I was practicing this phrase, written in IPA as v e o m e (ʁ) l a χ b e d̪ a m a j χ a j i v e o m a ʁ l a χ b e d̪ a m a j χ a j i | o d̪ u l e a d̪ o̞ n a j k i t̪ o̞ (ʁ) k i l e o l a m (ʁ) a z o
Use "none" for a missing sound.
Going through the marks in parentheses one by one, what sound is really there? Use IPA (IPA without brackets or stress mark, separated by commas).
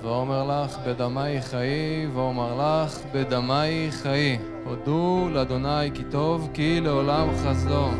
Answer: ʁ, v, χ